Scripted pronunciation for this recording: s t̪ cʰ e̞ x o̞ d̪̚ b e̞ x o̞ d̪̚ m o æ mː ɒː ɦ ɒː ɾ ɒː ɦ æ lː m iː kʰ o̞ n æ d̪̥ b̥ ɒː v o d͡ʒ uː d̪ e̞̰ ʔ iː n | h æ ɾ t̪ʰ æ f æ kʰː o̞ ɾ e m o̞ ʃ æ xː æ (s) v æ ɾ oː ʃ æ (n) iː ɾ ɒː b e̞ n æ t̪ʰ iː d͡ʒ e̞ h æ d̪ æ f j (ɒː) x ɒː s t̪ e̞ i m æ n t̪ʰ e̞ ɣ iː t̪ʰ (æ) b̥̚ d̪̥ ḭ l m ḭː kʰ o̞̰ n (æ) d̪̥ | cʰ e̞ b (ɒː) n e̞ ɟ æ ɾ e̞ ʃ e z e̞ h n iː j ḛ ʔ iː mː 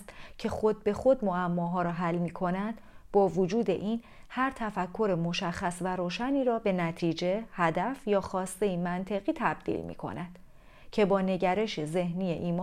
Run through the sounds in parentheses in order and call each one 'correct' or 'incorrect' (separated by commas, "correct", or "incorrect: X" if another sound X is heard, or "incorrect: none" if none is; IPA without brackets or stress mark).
correct, correct, correct, correct, correct, correct